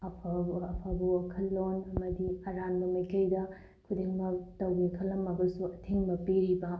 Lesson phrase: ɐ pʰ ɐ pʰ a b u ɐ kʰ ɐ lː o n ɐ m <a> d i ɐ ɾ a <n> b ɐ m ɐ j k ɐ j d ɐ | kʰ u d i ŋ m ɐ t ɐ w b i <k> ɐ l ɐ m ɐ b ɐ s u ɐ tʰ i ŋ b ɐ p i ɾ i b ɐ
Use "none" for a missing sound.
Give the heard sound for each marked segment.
ɐ, n, kʰ

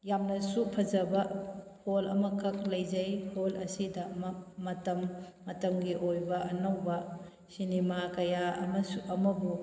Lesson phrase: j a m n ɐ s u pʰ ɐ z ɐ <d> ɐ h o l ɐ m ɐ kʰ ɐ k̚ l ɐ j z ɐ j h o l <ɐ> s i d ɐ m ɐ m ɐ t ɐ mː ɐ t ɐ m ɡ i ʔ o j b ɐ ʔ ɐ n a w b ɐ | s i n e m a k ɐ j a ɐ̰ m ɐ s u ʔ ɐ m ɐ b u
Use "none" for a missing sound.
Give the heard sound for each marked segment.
b, ɐ

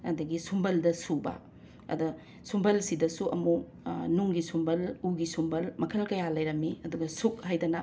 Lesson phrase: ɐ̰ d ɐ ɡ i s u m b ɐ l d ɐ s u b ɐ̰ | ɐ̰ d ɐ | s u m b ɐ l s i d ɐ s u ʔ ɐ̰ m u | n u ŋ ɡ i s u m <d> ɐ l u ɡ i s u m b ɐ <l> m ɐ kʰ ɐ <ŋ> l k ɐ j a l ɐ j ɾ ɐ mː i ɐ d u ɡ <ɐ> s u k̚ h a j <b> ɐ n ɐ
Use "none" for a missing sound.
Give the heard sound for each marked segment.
b, l, none, ɐ, d

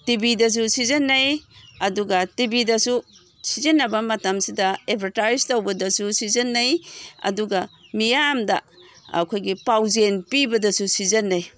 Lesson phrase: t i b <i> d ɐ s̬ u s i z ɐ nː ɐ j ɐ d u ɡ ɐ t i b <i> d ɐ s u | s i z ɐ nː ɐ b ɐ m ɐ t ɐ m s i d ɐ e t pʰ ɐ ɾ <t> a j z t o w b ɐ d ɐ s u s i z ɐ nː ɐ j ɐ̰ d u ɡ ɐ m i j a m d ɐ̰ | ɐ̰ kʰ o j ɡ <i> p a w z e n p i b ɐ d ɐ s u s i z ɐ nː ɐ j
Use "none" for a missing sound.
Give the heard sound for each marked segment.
i, i, t, i

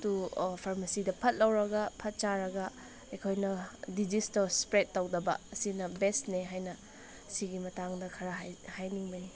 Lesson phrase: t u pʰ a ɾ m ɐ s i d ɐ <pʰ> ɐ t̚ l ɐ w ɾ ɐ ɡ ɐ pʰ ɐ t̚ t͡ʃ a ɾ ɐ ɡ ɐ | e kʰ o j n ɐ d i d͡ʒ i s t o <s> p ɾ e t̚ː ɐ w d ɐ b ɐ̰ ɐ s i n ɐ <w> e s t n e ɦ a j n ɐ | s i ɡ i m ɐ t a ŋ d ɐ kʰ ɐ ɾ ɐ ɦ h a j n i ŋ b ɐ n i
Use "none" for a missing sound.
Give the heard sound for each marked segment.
pʰ, s, b

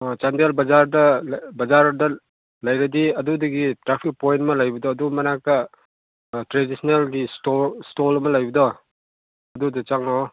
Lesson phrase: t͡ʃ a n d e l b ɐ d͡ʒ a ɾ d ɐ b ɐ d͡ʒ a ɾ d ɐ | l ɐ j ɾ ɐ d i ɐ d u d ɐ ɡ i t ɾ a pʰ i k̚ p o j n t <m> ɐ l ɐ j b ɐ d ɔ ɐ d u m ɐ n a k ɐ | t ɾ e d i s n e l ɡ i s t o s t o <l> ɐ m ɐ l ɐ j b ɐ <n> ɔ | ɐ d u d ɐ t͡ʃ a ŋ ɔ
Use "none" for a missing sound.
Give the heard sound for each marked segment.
m, l, d

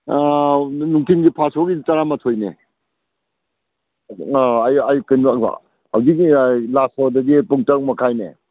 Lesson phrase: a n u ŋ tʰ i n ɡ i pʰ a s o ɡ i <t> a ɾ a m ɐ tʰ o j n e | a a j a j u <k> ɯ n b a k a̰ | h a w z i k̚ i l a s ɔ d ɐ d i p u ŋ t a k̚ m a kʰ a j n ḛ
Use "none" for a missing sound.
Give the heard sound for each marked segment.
t, k

